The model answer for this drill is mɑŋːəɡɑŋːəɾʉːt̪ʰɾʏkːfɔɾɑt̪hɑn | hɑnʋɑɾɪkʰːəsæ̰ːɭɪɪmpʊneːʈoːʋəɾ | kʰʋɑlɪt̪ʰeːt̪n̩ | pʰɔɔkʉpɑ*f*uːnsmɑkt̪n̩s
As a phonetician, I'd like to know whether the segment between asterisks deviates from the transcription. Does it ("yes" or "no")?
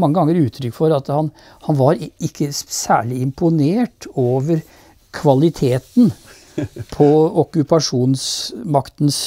yes